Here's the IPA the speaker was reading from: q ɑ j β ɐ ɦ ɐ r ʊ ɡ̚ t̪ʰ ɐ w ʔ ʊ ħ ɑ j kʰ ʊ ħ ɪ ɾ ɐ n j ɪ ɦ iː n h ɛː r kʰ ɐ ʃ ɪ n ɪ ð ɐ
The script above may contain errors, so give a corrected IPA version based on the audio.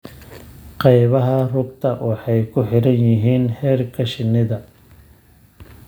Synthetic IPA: q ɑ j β ɐ ɦ ɐ r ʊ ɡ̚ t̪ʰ ɐ w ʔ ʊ ħ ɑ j kʰ ʊ ħ ɪ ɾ ɐ n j ɪ ɦ iː n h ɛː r kʰ ɐ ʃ ɪ n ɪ ð ɐ

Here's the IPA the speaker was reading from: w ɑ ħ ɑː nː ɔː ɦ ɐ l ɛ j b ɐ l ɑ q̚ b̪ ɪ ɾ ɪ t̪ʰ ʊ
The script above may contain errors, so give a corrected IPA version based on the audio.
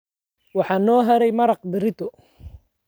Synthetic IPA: w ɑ ħ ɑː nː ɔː ɦ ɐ ɾ ɛ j m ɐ ɾ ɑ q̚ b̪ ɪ ɾ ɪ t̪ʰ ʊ

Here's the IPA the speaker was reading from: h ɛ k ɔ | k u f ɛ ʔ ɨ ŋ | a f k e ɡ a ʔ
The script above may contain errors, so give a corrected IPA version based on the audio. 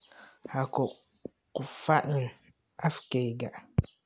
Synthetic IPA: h a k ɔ | k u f a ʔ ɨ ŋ | a f k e ɡ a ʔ

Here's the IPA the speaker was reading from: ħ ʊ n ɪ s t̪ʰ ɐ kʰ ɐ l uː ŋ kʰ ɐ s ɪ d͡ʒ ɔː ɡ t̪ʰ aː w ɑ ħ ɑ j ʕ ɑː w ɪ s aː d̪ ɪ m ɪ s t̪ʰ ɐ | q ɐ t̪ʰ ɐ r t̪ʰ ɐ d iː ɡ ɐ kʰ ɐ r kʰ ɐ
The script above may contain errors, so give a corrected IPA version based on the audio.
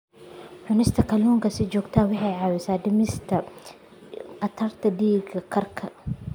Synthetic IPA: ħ ʊ n ɪ s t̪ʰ ɐ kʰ ɐ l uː ŋ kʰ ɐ s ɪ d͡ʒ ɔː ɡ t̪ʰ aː w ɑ ħ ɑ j ʕ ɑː w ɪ s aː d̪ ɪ m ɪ s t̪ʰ ɐ | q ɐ t̪ʰ ɐ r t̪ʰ ɐ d iː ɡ ɐ kʰ ɐ r kʰ ɐ

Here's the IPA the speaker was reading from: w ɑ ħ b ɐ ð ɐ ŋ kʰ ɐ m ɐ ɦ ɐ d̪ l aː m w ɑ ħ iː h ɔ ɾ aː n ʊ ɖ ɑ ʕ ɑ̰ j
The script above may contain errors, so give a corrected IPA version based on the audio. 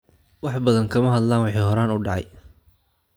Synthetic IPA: w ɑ ħ b ɐ ð ɐ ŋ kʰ ɐ m ɐ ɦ ɐ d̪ l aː n w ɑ ħ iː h ɔ ɾ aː n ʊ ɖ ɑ ʕ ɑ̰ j

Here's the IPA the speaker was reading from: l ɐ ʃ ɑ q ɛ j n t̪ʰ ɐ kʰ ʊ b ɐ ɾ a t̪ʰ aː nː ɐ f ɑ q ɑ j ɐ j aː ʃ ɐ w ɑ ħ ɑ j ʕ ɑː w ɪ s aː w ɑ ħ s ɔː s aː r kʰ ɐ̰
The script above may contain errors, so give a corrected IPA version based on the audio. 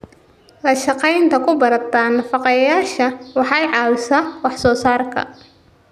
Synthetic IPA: l ɐ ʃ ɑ q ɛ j n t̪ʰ ɐ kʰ ʊ b ɐ ɾ ɐ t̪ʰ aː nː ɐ f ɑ q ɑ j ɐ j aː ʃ ɐ w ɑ ħ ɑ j ʕ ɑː w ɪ s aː w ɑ ħ s ɔː s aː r kʰ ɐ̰

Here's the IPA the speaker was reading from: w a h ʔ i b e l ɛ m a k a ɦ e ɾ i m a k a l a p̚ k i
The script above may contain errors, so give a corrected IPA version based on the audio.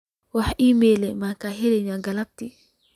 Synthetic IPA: w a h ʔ i m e l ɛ m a k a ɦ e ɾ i ɲ a ɡ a l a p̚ t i

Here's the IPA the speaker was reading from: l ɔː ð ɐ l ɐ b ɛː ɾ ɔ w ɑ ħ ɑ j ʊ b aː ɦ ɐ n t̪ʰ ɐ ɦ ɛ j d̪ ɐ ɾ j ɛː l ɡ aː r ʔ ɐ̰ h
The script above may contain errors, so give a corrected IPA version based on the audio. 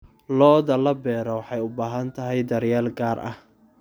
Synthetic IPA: l ɔː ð ɐ l ɐ b ɛː ɾ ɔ w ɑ ħ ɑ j ʊ b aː ɦ ɐ n t̪ʰ ɐ ɦ ɛ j d̪ ɐ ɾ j aː l ɡ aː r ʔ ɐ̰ h

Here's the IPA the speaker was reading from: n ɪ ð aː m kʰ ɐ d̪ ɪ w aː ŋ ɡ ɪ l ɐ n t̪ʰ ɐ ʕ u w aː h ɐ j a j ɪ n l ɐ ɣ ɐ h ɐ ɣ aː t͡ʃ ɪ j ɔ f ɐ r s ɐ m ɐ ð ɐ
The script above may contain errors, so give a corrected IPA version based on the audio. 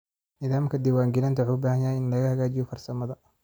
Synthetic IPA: n ɪ ð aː m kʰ ɐ d̪ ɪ w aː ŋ ɡ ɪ l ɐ n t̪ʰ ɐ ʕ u b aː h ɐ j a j ɪ n l ɐ ɣ ɐ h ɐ ɣ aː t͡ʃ ɪ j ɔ f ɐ r s ɐ m ɐ ð ɐ

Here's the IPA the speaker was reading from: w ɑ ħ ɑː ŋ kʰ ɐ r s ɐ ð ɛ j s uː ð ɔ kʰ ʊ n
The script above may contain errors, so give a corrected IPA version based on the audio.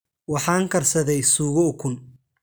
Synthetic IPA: w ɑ ħ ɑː ŋ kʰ ɐ r s ɐ ð ɛ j s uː ɣ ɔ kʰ ʊ n

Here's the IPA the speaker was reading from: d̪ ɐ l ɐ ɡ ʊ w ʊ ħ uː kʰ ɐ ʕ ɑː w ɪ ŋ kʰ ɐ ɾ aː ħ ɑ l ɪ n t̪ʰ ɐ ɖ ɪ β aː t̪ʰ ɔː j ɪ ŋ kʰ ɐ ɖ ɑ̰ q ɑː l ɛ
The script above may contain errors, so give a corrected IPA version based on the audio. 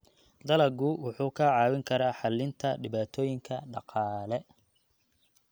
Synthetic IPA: d̪ ɐ l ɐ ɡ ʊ w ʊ ħ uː kʰ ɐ ʕ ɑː w ɪ ŋ kʰ ɐ ɾ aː ħ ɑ l ɪ n t̪ʰ ɐ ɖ ɪ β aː t̪ʰ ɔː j ɪ ŋ kʰ ɐ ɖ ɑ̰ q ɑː l ɛ

